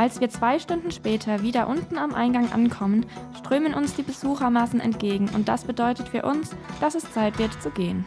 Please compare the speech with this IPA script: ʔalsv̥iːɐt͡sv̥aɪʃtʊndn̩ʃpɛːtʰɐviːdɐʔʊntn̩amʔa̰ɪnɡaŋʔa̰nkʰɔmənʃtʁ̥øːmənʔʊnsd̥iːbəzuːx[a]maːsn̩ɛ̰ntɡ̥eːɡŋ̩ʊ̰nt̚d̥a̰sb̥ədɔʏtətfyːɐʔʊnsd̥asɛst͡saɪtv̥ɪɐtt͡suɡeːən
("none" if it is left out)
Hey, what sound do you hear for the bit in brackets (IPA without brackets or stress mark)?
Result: ɐ